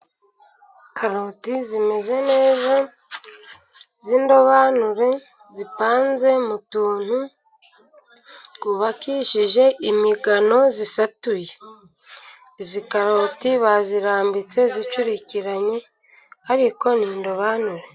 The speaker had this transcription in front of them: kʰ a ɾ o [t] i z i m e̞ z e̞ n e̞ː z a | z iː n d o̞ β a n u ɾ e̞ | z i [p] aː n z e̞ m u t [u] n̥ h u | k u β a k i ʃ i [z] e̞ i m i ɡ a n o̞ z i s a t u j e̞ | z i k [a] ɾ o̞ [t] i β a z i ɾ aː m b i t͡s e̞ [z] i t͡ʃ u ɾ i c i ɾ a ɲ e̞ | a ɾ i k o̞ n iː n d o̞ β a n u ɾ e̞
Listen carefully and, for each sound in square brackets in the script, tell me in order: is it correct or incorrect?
correct, correct, incorrect: uː, incorrect: ʒ, correct, correct, correct

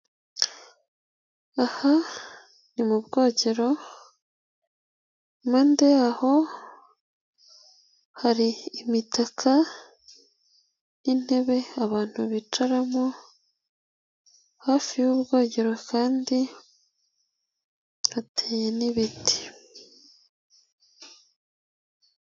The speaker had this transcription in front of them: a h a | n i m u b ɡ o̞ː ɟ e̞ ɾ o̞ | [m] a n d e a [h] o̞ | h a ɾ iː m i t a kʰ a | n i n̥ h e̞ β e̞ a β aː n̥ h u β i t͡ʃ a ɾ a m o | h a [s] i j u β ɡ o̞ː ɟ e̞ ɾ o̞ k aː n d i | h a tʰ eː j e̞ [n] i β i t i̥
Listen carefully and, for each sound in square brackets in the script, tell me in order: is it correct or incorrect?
correct, correct, incorrect: f, correct

